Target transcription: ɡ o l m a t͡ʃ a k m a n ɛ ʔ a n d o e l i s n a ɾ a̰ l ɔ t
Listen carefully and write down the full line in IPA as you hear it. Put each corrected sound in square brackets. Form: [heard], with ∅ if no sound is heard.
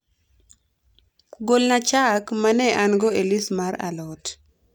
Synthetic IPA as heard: ɡ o l [n] a t͡ʃ a k m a n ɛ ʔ a n [ɡ] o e l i s [m] a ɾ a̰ l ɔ t